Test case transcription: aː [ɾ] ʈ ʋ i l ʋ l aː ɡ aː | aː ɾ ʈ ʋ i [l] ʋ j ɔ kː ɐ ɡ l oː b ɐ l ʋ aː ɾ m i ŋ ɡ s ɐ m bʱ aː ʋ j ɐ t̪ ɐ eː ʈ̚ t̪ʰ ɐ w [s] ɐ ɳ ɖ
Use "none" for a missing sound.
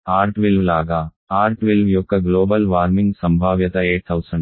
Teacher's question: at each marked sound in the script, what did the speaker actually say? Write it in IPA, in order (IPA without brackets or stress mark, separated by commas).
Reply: ɾ, l, s